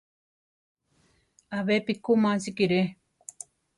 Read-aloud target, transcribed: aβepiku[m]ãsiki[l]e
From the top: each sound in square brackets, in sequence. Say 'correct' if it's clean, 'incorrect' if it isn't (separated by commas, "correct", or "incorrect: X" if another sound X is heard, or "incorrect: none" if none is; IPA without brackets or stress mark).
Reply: correct, incorrect: ɾ